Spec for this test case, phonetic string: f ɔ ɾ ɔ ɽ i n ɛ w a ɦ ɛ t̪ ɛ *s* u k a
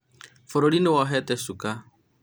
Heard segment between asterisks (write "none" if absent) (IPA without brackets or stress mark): s